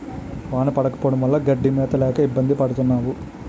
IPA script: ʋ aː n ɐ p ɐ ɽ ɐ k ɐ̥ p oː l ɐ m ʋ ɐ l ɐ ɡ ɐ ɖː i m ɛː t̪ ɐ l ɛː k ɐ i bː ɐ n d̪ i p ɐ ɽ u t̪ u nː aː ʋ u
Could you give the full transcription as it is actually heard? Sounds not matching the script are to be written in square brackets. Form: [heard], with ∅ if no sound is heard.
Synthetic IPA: ʋ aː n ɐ p ɐ ɽ ɐ k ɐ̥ p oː [ɽ] ɐ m ʋ ɐ [lː] ɐ ɡ ɐ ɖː i m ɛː t̪ ɐ l ɛː k ɐ i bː ɐ n d̪ i p ɐ ɽ u t̪ u nː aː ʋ u